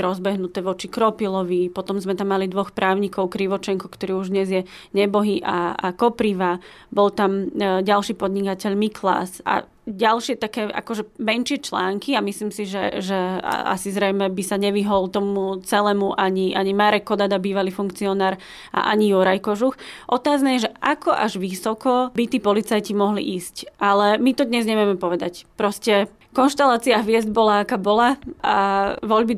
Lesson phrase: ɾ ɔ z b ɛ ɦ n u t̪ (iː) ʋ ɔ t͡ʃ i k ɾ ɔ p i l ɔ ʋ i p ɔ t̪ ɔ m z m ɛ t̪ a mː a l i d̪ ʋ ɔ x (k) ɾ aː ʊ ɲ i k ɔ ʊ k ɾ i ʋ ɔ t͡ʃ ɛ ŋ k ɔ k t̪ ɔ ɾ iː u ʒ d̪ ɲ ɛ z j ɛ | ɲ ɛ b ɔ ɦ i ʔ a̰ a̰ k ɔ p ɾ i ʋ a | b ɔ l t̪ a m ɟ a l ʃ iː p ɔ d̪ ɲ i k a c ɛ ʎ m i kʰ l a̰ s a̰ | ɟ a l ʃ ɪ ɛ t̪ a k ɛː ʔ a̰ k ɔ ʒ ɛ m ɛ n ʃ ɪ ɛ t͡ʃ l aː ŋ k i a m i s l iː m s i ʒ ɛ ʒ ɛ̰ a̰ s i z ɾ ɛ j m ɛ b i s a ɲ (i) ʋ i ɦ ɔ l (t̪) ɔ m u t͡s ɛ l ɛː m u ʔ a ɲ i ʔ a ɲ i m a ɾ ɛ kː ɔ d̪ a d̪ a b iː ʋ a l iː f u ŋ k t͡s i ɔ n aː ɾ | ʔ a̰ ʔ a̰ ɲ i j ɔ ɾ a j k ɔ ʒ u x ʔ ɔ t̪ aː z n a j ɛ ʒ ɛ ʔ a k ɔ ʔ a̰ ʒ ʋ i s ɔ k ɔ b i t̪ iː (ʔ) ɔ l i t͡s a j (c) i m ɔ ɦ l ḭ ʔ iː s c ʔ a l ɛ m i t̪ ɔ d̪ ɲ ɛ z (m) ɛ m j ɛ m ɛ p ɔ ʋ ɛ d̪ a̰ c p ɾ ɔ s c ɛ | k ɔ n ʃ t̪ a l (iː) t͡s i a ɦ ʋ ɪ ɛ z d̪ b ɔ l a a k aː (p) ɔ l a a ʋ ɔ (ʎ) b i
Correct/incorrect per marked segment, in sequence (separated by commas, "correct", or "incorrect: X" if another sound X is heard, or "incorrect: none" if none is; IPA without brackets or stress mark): incorrect: ɛː, incorrect: p, incorrect: ɛ, correct, incorrect: p, correct, incorrect: ɲ, incorrect: aː, incorrect: b, correct